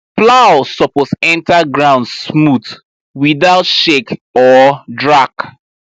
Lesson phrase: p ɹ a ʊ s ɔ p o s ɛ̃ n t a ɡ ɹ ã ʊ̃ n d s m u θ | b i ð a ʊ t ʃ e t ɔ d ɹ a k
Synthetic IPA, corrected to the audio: p l a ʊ s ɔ p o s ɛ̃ n t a ɡ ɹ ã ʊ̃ n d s m u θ | w i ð a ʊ t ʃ e k ɔ d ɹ a k